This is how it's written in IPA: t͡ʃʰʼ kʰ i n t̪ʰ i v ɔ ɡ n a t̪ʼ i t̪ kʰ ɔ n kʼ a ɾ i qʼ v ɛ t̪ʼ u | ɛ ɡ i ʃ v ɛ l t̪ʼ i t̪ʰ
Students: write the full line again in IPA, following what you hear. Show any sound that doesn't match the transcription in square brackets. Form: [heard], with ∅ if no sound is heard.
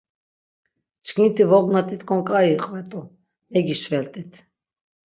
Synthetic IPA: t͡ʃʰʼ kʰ i n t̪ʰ i v ɔ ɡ n a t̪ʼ i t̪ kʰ ɔ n kʼ a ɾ i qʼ v ɛ t̪ʼ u | ɛ ɡ i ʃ v ɛ l t̪ʼ i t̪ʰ